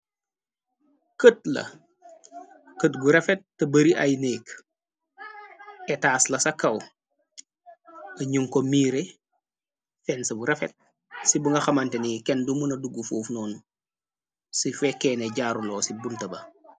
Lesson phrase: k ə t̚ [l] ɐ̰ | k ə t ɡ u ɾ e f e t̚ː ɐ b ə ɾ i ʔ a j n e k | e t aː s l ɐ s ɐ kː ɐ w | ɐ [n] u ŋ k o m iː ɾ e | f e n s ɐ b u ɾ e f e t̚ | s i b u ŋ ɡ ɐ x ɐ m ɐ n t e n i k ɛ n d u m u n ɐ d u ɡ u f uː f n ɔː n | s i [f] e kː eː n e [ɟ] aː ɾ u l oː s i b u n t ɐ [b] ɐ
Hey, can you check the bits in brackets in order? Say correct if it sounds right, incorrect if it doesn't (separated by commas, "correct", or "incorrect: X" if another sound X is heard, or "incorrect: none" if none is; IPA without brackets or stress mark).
correct, incorrect: ɲ, correct, correct, correct